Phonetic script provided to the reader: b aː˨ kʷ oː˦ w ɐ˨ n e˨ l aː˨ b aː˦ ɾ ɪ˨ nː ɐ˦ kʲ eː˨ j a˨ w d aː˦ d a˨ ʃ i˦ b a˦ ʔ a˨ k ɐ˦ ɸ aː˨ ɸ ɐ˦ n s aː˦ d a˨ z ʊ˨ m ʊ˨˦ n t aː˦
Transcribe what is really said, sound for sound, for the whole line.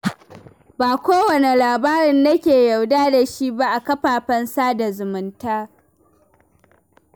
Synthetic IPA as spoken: b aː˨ kʷ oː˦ w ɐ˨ n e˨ l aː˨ b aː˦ ɾ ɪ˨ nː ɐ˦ kʲ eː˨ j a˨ w d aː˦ d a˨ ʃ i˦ b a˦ ʔ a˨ k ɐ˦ ɸ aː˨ ɸ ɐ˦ n s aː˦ d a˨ z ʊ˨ m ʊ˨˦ n t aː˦

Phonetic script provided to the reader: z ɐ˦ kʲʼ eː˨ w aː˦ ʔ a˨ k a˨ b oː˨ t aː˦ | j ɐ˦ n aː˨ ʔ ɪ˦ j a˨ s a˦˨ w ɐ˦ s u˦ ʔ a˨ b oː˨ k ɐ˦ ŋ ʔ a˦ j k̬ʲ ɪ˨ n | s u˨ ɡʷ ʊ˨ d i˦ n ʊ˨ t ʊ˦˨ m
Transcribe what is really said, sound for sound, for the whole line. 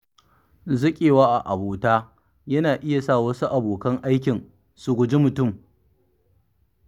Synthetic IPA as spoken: z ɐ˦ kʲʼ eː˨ w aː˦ ʔ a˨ ʔ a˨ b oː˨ t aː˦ | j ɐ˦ n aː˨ ʔ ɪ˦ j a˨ s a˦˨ w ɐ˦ s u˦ ʔ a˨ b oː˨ k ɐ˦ ŋ ʔ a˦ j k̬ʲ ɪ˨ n | s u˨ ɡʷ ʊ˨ d͡ʒ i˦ m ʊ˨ t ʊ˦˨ m

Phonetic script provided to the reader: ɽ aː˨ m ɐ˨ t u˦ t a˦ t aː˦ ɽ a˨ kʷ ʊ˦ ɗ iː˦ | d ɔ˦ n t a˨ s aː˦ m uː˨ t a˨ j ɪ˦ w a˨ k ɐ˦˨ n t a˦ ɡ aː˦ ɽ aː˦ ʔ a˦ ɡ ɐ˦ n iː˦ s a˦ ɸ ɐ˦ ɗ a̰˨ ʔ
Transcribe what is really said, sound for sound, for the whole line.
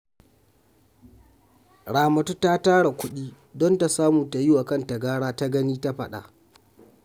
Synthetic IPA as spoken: ɽ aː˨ m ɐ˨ t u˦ t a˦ t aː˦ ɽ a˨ kʷ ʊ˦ ɗ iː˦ | d ɔ˦ n t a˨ s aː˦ m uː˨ t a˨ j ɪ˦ w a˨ k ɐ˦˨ n t a˨ ɡ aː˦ ɽ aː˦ t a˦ ɡ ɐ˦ n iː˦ t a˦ ɸ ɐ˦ ɗ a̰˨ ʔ

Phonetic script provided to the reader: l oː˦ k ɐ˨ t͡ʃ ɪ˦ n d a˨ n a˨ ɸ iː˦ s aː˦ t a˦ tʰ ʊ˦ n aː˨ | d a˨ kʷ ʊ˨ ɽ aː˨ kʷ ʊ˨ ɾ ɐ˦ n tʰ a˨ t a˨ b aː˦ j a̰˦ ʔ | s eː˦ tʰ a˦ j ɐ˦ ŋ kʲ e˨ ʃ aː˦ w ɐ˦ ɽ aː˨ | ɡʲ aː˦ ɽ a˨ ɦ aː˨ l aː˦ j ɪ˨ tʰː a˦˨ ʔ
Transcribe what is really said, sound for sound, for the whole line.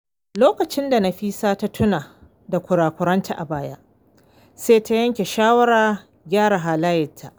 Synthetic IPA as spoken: l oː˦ k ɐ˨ t͡ʃ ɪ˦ n d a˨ n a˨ ɸ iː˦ s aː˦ t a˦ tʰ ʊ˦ n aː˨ | d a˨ kʷ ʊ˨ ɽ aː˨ kʷ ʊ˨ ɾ ɐ˦ n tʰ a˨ ʔ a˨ b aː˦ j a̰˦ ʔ | s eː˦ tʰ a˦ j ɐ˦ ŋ kʲ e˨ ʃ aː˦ w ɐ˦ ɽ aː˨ | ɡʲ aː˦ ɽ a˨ ɦ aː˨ l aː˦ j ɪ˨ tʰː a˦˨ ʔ

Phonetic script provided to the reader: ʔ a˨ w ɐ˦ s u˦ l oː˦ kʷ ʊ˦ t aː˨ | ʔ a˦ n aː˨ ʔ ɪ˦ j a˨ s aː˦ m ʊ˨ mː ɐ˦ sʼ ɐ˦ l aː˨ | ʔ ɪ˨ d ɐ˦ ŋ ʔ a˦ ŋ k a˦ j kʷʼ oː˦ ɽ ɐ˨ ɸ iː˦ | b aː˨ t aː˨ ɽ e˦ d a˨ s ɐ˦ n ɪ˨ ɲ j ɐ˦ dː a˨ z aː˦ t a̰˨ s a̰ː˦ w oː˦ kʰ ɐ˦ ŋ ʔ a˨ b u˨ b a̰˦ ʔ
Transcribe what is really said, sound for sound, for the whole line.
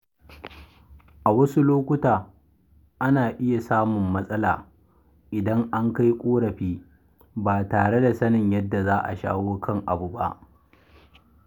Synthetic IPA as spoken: ʔ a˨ w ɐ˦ s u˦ l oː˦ kʷ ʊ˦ t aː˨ | ʔ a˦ n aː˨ ʔ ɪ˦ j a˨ s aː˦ m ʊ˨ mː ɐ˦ sʼ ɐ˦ l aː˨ | ʔ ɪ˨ d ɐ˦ ŋ ʔ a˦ ŋ k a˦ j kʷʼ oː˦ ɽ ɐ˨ ɸ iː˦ | b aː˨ t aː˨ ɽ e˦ d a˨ s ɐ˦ n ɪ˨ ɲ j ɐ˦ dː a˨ z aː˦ ʔ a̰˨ ʃ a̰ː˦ w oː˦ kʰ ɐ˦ ŋ ʔ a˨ b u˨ b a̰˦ ʔ

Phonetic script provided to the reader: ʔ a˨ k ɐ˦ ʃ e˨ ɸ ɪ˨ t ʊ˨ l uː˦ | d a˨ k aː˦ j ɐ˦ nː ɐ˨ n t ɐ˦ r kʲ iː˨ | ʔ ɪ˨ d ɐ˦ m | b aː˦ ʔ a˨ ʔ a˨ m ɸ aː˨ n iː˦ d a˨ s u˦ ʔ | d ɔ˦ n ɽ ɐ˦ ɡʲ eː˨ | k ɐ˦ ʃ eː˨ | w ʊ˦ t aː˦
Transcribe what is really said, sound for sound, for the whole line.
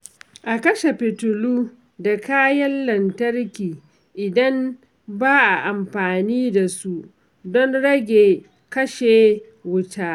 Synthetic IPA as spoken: ʔ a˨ k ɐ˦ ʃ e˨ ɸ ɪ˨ t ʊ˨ l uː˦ | d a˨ k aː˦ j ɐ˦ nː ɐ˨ n t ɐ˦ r kʲ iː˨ | ʔ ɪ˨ d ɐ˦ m | b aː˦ ʔ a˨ ʔ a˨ m ɸ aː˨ n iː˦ d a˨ s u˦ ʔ | d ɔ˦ n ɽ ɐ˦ ɡʲ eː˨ | k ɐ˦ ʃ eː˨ | w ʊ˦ t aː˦

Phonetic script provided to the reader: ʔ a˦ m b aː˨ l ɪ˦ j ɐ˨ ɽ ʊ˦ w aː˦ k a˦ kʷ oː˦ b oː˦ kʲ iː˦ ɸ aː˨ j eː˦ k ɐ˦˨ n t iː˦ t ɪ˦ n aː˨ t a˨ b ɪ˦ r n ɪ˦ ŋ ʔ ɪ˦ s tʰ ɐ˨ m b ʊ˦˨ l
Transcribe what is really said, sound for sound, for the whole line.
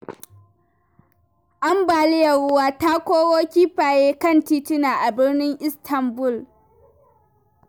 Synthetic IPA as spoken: ʔ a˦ m b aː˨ l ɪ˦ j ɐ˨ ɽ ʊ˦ w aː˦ t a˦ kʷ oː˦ w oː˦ kʲ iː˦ ɸ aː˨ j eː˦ k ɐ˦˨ n t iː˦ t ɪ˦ n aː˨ ʔ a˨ b ɪ˦ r n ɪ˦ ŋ ʔ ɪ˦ s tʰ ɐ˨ m b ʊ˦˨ l

